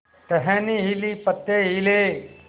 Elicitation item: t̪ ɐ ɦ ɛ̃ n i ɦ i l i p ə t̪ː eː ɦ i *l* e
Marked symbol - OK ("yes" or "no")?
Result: yes